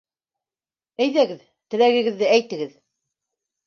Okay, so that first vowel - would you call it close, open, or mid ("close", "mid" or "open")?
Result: open